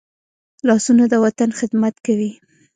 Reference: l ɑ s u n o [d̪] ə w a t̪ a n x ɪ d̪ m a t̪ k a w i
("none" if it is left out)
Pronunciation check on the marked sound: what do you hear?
d̪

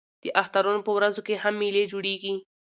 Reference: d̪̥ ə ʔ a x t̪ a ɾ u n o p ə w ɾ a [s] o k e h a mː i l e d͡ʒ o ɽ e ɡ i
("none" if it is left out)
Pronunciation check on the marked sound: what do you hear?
z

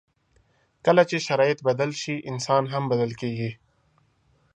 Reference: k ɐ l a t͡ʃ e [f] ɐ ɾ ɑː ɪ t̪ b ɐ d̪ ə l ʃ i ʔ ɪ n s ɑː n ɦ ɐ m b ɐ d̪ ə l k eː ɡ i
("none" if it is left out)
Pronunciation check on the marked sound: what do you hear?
ʃ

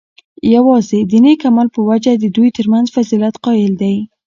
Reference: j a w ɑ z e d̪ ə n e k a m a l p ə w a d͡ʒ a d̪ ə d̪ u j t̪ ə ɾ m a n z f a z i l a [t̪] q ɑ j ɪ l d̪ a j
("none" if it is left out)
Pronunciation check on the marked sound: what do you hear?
t̪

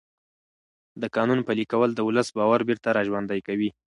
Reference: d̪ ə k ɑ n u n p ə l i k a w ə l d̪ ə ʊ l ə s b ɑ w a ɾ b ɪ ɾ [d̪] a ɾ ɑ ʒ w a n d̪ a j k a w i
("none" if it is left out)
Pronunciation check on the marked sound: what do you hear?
t̪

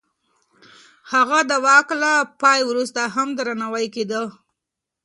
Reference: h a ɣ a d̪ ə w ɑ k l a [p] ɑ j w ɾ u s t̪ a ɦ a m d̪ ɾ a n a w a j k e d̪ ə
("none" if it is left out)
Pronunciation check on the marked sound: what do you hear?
p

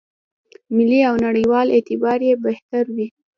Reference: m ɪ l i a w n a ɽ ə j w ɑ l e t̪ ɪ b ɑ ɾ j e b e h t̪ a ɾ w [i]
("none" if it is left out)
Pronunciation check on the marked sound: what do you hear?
i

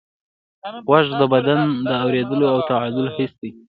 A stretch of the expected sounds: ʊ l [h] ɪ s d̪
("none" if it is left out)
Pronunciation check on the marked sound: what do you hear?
h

